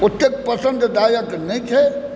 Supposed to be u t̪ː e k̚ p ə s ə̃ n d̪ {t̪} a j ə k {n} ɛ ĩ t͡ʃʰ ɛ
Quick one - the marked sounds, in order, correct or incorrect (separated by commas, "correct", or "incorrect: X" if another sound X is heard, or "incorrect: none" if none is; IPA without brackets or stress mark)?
incorrect: d̪, correct